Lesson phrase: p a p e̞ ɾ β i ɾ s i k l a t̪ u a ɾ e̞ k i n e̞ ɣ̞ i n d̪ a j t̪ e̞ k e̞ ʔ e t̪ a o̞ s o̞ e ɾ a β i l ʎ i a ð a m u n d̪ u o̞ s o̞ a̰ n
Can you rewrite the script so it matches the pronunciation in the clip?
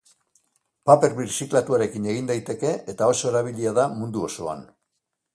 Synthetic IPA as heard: p a p e̞ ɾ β i ɾ s i k l a t̪ u a ɾ e̞ k i n e̞ ɣ̞ i n d̪ a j t̪ e̞ k e̞ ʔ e t̪ a o̞ s o̞ e ɾ a β i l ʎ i a ð a m u n d̪ u o̞ s o̞ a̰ n